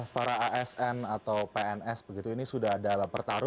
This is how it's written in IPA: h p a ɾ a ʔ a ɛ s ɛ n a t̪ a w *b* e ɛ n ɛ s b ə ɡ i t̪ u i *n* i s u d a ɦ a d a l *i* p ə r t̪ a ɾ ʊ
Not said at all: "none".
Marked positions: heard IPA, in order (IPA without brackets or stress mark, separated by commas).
p, n, a